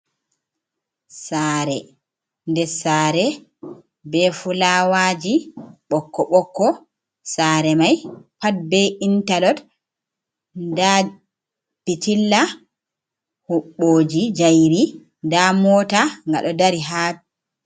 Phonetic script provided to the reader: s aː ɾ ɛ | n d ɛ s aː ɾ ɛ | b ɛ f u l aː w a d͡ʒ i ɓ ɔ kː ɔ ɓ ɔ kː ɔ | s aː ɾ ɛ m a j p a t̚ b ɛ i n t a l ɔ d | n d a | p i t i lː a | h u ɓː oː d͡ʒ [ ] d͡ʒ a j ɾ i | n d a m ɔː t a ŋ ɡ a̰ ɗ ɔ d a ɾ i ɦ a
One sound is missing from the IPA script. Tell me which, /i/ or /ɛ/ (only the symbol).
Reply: i